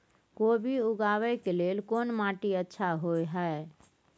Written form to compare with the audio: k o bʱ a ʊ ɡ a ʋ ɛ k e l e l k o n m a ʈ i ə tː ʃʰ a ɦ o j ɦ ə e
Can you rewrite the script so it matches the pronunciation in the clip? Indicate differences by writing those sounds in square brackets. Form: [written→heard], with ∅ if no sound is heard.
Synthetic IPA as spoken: k o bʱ [a→i] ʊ ɡ a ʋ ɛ k e l e l k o n m a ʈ i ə tː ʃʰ a ɦ o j ɦ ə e